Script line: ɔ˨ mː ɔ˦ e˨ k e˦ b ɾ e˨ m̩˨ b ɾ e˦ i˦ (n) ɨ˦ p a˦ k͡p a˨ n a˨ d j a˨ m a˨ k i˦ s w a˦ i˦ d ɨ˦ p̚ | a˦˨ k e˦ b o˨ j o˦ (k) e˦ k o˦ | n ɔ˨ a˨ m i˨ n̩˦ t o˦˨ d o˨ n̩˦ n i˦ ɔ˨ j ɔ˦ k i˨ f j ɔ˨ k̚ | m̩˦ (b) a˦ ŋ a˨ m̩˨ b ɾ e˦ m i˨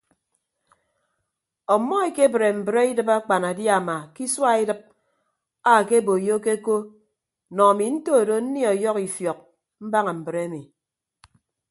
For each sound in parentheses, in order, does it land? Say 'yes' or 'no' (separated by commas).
no, yes, yes